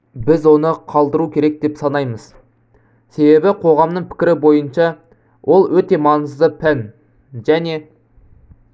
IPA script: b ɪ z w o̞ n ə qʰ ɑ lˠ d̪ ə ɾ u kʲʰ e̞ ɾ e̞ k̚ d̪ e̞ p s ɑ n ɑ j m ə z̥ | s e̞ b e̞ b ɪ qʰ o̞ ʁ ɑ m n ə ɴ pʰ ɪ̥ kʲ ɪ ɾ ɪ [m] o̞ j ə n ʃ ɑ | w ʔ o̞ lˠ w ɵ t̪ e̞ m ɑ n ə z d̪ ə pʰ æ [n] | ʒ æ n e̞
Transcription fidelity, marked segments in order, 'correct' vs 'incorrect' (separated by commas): incorrect, correct